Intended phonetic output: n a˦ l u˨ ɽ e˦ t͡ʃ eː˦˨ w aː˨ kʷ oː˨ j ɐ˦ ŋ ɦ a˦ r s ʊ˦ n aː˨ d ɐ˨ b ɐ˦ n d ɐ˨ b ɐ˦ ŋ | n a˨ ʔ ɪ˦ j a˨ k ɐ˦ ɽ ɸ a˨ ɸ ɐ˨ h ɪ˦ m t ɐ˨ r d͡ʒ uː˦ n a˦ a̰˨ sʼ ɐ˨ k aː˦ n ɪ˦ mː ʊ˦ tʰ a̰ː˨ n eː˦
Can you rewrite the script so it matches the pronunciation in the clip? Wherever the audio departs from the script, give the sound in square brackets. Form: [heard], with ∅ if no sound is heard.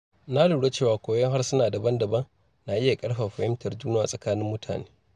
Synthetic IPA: n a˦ l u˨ ɽ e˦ t͡ʃ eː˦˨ w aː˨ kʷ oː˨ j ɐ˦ ŋ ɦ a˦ r s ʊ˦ n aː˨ d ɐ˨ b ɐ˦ n d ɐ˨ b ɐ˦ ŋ | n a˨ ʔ ɪ˦ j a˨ [kʼ] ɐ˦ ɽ ɸ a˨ ɸ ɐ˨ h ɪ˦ m t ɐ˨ r d͡ʒ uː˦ n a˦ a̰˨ sʼ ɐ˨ k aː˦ n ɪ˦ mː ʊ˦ tʰ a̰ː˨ n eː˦